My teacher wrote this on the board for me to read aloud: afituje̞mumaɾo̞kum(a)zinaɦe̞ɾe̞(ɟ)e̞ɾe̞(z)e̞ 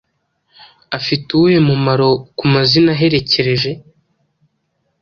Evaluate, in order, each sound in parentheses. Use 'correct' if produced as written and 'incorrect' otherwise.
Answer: correct, incorrect, incorrect

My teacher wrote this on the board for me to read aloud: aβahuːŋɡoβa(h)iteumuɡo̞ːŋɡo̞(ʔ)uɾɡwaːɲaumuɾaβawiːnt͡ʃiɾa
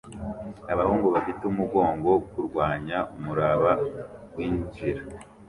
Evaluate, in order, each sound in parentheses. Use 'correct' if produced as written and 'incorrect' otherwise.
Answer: incorrect, incorrect

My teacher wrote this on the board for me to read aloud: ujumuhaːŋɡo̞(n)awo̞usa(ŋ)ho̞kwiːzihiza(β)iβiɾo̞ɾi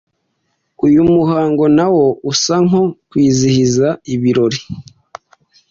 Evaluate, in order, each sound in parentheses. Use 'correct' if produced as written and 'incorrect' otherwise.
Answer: correct, correct, incorrect

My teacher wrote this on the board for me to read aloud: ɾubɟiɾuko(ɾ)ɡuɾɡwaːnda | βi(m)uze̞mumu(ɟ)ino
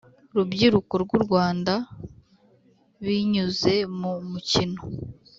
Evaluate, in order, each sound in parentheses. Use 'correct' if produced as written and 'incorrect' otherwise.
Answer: correct, incorrect, incorrect

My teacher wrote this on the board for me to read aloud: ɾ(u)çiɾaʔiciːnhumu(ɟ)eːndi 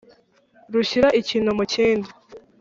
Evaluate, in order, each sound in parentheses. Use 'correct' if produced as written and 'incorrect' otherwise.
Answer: correct, incorrect

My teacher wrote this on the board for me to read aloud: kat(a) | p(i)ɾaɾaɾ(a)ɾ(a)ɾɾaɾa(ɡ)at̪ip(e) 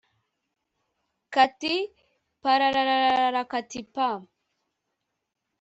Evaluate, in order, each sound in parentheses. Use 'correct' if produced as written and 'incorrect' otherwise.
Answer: incorrect, incorrect, correct, correct, incorrect, incorrect

